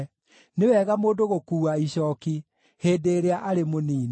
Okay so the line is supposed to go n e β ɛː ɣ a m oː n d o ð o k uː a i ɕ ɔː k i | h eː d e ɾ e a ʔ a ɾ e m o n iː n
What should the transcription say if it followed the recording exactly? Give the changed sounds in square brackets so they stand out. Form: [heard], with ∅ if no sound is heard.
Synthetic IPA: n e [w] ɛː ɣ a m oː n d o [ɣ] o k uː a i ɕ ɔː k i | h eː d e ɾ e a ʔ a ɾ e m o n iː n